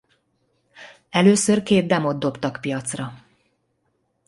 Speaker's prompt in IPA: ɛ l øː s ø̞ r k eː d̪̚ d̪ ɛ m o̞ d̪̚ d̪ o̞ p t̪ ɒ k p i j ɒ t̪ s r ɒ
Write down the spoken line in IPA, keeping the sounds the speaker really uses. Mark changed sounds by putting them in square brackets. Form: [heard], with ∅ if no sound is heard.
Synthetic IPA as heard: ɛ l øː s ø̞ r k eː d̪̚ d̪ ɛ m o̞ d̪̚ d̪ o̞ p t̪ ɒ k p i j ɒ t̪ s r ɒ